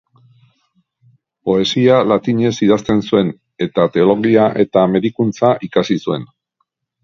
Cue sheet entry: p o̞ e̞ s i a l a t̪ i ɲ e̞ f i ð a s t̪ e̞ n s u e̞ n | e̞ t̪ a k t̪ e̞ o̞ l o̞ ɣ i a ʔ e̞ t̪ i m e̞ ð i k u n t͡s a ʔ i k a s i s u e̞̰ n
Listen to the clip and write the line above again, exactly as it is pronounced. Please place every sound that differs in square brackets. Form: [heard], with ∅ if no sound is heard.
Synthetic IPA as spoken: p o̞ e̞ s i a l a t̪ i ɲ e̞ [s] i ð a s t̪ e̞ n s u e̞ n | e̞ t̪ a [∅] t̪ e̞ o̞ l o̞ ɣ i a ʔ e̞ t̪ [a] m e̞ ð i k u n t͡s a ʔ i k a s i s u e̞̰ n